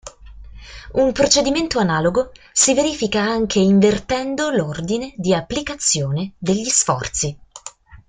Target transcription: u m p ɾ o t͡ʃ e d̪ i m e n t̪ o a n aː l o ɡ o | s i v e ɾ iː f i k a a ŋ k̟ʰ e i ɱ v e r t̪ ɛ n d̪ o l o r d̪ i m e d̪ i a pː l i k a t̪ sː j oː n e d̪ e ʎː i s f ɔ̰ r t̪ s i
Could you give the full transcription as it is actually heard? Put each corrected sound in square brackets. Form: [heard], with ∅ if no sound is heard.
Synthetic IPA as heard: u m p ɾ o t͡ʃ e d̪ i m e n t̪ o a n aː l o ɡ o | s i v e ɾ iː f i k a a ŋ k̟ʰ e i ɱ v e r t̪ ɛ n d̪ o l o r d̪ i [n] e d̪ i a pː l i k a t̪ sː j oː n e d̪ e ʎː i s f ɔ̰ r t̪ s i